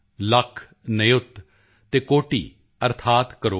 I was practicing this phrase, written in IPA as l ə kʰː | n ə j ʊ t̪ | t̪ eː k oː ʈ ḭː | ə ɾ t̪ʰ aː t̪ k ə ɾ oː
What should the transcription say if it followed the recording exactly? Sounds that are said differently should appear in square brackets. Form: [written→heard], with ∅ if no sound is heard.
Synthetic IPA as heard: l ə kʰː | n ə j ʊ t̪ | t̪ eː k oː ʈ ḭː | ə ɾ t̪ʰ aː t̪ k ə ɾ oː